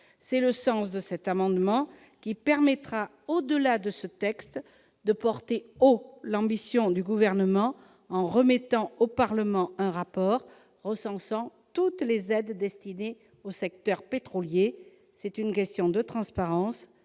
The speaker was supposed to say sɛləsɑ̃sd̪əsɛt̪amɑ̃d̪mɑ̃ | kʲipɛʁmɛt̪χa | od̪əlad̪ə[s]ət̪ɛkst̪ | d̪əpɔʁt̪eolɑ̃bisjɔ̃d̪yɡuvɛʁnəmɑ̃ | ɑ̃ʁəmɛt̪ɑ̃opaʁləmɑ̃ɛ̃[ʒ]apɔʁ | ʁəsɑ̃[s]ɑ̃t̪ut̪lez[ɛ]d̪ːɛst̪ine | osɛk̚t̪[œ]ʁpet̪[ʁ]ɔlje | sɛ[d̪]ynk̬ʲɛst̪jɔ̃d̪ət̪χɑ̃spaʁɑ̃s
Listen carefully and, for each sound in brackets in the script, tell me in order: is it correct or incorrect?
correct, incorrect: ʁ, correct, correct, correct, incorrect: χ, incorrect: t̪

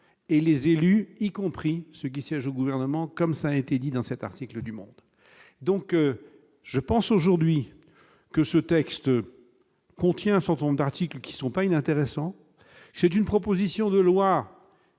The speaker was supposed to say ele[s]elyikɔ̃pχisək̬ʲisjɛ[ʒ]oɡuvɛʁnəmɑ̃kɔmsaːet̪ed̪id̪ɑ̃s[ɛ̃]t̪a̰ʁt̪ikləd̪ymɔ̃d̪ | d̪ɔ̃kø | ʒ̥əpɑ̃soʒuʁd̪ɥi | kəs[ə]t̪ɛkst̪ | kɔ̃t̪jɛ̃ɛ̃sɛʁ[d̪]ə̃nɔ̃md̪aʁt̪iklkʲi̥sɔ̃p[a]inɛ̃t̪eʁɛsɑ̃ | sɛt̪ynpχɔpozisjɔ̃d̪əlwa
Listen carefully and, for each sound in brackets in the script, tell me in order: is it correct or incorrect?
incorrect: z, correct, incorrect: ɛ, correct, incorrect: t̪, correct

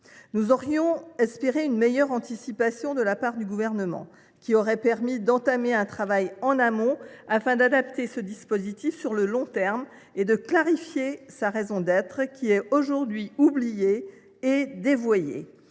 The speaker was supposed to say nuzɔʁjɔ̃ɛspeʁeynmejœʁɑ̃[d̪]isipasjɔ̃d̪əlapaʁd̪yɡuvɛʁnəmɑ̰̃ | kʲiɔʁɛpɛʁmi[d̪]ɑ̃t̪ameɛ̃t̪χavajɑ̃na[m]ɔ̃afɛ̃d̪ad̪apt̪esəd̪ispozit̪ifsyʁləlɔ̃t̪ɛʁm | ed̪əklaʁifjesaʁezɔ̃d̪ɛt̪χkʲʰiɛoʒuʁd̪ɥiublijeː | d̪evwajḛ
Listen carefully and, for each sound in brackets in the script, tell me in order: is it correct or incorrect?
incorrect: t̪, correct, correct

